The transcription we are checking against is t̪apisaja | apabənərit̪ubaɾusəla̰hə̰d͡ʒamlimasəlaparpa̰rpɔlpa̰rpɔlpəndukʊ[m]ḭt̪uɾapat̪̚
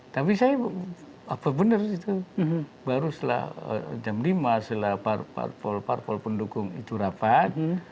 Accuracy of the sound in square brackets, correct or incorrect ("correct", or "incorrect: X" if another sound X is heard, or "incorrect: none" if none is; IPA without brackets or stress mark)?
incorrect: ŋ